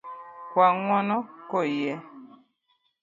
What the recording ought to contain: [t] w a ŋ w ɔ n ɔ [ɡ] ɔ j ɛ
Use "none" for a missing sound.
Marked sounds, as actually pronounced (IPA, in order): k, k

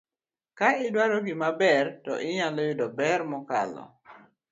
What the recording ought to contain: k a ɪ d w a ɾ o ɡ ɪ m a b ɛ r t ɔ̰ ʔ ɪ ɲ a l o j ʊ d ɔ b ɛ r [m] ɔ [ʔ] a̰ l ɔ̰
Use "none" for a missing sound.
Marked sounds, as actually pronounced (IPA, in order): m, k

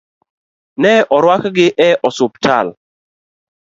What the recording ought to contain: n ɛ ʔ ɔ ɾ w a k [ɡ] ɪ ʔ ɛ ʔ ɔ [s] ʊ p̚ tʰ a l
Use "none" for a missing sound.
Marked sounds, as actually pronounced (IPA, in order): ɡ, s

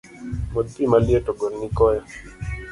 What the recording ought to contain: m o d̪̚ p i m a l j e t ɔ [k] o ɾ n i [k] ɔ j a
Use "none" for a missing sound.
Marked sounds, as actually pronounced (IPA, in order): ɡ, k

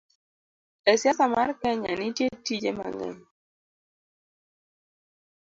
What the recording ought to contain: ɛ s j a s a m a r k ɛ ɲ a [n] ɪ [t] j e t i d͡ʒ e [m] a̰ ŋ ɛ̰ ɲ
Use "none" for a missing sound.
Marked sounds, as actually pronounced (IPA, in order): n, t, m

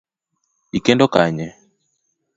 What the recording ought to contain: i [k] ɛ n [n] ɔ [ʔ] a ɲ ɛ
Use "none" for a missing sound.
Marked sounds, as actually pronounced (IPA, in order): k, d, k

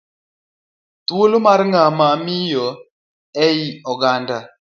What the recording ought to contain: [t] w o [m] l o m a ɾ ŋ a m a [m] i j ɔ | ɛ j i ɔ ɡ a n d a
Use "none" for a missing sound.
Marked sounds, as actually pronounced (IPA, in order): t, none, m

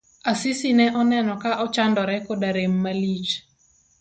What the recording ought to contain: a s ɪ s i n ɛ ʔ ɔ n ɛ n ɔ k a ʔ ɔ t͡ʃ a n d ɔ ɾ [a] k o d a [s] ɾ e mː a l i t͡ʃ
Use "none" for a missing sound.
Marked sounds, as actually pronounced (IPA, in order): ɛ, none

